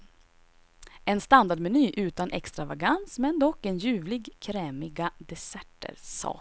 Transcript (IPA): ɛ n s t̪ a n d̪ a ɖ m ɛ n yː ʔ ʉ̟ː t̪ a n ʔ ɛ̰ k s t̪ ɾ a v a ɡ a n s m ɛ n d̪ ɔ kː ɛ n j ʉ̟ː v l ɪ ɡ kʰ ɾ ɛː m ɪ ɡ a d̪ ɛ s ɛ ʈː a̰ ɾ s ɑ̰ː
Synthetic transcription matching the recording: ɛ n s t̪ a n d̪ a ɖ m ɛ n yː ʔ ʉ̟ː t̪ a n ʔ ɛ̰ k s t̪ ɾ a v a ɡ a n s m ɛ n d̪ ɔ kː ɛ n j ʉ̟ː v l ɪ ɡ kʰ ɾ ɛː m ɪ ɡ a d̪ ɛ s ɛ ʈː ə̰ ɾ s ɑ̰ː